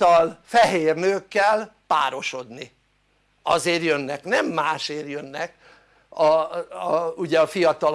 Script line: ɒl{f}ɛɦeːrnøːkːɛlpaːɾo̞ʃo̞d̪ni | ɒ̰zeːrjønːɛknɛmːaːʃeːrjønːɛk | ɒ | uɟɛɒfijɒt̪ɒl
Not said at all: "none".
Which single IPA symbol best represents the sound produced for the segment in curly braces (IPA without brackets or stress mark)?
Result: f